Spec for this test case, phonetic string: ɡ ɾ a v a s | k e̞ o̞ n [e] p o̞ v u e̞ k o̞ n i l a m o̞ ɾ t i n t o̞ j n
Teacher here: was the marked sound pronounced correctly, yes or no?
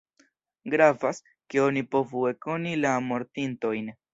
no